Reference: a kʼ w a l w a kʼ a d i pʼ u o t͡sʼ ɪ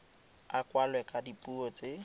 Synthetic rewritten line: a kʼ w a l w ɛ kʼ a d i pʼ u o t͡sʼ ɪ